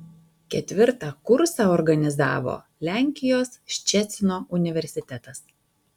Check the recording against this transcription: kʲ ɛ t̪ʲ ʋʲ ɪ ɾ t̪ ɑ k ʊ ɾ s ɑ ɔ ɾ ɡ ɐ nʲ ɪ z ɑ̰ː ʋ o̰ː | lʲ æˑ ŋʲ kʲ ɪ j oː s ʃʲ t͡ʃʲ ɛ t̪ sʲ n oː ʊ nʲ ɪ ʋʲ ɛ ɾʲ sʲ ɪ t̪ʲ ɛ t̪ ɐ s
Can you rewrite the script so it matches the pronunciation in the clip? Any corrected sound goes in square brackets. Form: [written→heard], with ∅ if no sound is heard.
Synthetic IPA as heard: kʲ ɛ t̪ʲ ʋʲ ɪ ɾ t̪ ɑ k ʊ ɾ s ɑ ɔ ɾ ɡ ɐ nʲ ɪ z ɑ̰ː ʋ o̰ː | lʲ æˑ ŋʲ kʲ ɪ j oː s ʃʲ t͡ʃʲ ɛ t̪ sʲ n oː ʊ nʲ ɪ ʋʲ ɛ ɾʲ sʲ ɪ t̪ʲ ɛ t̪ ɐ s

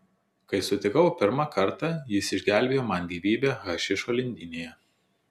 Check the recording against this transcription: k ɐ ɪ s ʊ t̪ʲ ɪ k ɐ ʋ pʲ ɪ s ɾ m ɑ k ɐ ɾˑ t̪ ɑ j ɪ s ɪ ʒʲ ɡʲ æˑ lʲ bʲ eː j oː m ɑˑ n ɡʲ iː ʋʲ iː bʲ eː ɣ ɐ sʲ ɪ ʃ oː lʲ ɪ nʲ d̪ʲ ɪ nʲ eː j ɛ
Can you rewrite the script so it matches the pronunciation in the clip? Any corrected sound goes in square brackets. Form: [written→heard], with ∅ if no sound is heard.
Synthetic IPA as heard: k ɐ ɪ s ʊ t̪ʲ ɪ k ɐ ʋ pʲ ɪ [s→∅] ɾ m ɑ k ɐ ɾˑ t̪ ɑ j ɪ s ɪ ʒʲ ɡʲ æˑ lʲ bʲ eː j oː m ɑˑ n ɡʲ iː ʋʲ iː bʲ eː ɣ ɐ [sʲ→ʃʲ] ɪ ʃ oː lʲ ɪ nʲ d̪ʲ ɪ nʲ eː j ɛ

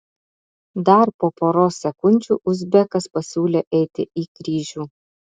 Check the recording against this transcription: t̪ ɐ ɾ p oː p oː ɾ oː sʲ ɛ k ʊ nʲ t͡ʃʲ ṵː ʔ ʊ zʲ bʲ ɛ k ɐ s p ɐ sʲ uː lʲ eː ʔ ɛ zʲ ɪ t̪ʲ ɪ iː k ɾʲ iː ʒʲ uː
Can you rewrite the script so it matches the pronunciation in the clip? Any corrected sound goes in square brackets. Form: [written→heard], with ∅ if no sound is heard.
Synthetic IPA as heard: [t̪→d̪] ɐ ɾ p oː p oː ɾ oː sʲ ɛ k ʊ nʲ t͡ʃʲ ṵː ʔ ʊ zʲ bʲ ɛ k ɐ s p ɐ sʲ uː lʲ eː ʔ ɛ [zʲ→∅] ɪ t̪ʲ ɪ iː k ɾʲ iː ʒʲ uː

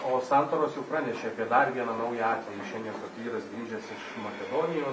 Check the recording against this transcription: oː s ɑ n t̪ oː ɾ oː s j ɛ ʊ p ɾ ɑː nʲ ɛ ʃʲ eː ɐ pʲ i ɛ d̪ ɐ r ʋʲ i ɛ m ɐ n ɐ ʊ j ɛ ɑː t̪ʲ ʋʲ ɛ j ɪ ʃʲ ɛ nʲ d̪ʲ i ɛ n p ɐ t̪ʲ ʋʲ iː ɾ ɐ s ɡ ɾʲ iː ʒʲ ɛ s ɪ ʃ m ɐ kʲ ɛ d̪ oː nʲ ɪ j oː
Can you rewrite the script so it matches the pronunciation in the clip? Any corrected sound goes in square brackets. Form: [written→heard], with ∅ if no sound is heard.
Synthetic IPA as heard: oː s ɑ n t̪ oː ɾ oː s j ɛ ʊ p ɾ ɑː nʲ ɛ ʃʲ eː ɐ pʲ i ɛ d̪ ɐ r ʋʲ i ɛ [m→n] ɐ n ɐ ʊ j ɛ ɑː t̪ʲ ʋʲ ɛ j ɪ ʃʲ ɛ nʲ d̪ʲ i ɛ n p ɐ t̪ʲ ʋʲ iː ɾ ɐ s ɡ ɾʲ iː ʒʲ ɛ s ɪ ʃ m ɐ kʲ ɛ d̪ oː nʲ ɪ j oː

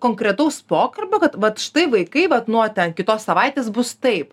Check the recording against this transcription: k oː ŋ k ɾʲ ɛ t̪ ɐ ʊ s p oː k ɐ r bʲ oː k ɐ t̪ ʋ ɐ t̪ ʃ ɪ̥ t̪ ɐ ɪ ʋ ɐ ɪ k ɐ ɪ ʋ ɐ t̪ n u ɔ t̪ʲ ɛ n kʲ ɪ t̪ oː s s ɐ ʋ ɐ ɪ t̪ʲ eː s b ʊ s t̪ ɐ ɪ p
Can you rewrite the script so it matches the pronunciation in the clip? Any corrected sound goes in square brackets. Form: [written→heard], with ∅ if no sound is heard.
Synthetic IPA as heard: k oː ŋ k ɾʲ ɛ t̪ ɐ ʊ s p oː k ɐ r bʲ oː k ɐ t̪ ʋ ɐ t̪ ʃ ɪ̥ t̪ ɐ ɪ ʋ ɐ ɪ k ɐ ɪ ʋ ɐ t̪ n u ɔ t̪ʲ ɛ n kʲ ɪ t̪ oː s s ɐ ʋ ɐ ɪ t̪ʲ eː s b ʊ s t̪ ɐ ɪ p

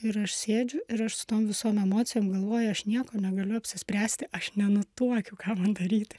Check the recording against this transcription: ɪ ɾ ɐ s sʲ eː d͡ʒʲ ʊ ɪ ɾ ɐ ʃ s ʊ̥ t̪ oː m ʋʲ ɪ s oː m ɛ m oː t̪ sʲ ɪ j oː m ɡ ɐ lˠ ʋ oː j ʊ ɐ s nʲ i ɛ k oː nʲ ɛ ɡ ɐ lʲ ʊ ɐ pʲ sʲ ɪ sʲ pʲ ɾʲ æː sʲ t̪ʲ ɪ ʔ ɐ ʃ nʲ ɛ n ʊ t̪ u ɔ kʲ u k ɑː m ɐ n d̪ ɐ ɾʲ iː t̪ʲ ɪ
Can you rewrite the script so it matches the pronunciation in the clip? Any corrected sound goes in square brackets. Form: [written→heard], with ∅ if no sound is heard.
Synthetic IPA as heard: ɪ ɾ ɐ [s→ʃ] sʲ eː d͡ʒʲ ʊ ɪ ɾ ɐ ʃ s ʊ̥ t̪ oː m ʋʲ ɪ s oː m ɛ m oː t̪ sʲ ɪ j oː m ɡ ɐ lˠ ʋ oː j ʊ ɐ [s→ʃ] nʲ i ɛ k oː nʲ ɛ ɡ ɐ lʲ ʊ ɐ pʲ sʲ ɪ sʲ pʲ ɾʲ æː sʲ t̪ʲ ɪ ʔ ɐ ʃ nʲ ɛ n ʊ t̪ u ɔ kʲ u k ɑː m ɐ n d̪ ɐ ɾʲ iː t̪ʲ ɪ

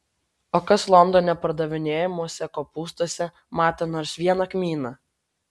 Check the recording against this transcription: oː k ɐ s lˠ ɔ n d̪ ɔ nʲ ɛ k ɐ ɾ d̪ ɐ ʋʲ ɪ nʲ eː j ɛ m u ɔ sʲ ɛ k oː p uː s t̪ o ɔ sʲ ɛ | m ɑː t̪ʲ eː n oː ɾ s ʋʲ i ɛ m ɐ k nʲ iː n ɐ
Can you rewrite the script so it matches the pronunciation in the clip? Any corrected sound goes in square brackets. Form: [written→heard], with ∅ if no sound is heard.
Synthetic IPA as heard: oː k ɐ s lˠ ɔ n d̪ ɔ nʲ ɛ [k→p] ɐ ɾ d̪ ɐ ʋʲ ɪ nʲ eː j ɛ m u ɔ sʲ ɛ k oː p uː s t̪ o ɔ sʲ ɛ | m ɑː t̪ʲ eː n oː ɾ s ʋʲ i ɛ [m→n] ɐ k [nʲ→mʲ] iː n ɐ

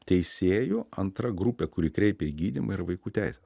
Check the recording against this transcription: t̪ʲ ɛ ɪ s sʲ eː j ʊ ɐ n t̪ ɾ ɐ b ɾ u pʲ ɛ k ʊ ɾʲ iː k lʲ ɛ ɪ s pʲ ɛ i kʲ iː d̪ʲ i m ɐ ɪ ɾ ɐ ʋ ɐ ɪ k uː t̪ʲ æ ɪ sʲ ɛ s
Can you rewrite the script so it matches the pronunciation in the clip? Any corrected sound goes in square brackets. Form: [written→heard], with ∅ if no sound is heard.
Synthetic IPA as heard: t̪ʲ ɛ ɪ s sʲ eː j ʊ ɐ n t̪ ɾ ɐ [b→ɡ] ɾ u pʲ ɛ k ʊ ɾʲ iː k [lʲ→ɾʲ] ɛ ɪ [s→∅] pʲ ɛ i [kʲ→ɡʲ] iː d̪ʲ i m ɐ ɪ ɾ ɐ ʋ ɐ ɪ k uː t̪ʲ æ ɪ sʲ ɛ s

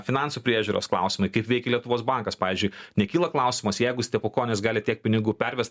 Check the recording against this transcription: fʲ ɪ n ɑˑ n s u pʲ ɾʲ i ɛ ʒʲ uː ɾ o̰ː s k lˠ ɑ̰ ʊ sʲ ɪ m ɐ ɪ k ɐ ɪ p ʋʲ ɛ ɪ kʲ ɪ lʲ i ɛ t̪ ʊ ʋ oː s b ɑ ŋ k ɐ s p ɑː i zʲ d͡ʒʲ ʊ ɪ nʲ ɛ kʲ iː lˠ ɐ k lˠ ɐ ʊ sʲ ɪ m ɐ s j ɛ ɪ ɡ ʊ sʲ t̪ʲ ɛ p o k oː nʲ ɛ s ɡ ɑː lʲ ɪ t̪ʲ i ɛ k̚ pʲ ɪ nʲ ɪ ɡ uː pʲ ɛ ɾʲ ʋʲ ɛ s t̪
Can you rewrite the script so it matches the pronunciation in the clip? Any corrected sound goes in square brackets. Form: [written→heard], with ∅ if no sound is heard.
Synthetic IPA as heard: fʲ ɪ n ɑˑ n s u pʲ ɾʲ i ɛ ʒʲ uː ɾ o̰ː s k lˠ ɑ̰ ʊ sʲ ɪ m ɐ ɪ k ɐ ɪ p ʋʲ ɛ ɪ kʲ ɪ lʲ i ɛ t̪ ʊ ʋ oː s b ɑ ŋ k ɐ s p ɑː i zʲ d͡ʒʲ ʊ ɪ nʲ ɛ kʲ iː lˠ ɐ k lˠ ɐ ʊ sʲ ɪ m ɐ s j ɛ ɪ ɡ ʊ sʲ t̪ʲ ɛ p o k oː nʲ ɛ s ɡ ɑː lʲ ɪ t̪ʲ i ɛ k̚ pʲ ɪ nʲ ɪ ɡ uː pʲ ɛ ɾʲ ʋʲ ɛ s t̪

